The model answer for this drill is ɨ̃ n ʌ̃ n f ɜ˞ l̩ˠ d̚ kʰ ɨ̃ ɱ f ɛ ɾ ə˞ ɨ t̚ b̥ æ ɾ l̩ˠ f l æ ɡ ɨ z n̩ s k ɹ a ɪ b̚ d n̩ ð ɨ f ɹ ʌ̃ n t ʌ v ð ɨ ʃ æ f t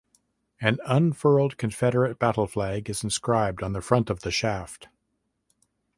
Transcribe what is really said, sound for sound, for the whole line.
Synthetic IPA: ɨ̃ n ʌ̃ n f ɜ˞ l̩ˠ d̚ kʰ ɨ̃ ɱ f ɛ ɾ ə˞ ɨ t̚ b̥ æ ɾ l̩ˠ f l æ ɡ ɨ z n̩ s k ɹ a ɪ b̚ d n̩ ð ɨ f ɹ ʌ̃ n t ʌ v ð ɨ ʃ æ f t